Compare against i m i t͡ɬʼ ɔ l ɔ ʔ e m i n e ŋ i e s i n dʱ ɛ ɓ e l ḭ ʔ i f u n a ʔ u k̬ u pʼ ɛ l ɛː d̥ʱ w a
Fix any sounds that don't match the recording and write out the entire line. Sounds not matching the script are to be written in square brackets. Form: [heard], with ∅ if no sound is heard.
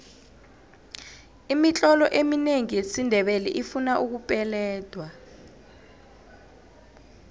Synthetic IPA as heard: i m i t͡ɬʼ ɔ l ɔ ʔ e m i n e ŋ i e s i n dʱ ɛ ɓ e l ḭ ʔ i f u n a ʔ u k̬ u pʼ ɛ l ɛː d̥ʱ w a